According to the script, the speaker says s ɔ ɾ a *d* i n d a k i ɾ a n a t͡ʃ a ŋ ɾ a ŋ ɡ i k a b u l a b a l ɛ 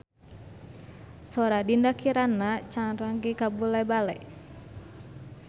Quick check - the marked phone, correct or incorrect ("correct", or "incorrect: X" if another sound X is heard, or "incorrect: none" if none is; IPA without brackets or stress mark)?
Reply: correct